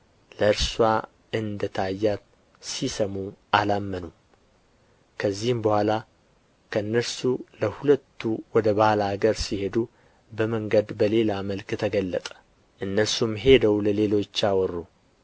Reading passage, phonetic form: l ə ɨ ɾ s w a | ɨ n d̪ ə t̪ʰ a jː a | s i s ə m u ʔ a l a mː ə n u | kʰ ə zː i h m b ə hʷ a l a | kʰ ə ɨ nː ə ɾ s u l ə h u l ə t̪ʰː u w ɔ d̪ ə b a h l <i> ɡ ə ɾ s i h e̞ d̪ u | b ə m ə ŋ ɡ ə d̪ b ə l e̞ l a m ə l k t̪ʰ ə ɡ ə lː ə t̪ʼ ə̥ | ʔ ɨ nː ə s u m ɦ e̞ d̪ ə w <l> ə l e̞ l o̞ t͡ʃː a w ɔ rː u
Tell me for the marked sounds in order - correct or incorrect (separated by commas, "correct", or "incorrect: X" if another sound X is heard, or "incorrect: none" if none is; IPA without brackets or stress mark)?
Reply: incorrect: a, correct